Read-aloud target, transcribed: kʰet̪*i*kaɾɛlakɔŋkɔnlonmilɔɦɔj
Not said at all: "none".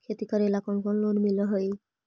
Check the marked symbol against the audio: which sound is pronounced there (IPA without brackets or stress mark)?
i